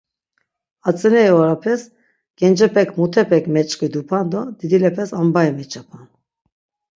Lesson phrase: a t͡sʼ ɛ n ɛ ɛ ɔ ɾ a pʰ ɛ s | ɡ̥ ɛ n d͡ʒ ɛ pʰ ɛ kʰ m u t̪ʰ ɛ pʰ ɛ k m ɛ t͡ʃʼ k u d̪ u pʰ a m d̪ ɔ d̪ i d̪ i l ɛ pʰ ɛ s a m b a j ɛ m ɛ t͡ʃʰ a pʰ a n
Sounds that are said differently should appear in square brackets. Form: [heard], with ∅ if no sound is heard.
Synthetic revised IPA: a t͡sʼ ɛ n ɛ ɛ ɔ ɾ a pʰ ɛ s | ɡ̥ ɛ n d͡ʒ ɛ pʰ ɛ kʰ m u t̪ʰ ɛ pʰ ɛ k m ɛ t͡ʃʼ k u d̪ u pʰ a [n] d̪ ɔ d̪ i d̪ i l ɛ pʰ ɛ s a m b a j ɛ m ɛ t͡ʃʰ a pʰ a n